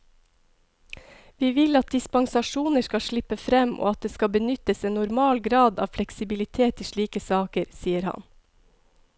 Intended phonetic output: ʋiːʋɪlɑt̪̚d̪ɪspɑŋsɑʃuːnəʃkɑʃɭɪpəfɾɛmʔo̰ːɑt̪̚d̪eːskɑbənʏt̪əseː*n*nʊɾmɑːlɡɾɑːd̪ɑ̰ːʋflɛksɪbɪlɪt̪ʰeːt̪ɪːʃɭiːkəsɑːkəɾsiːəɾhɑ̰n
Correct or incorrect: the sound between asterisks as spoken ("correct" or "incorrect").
correct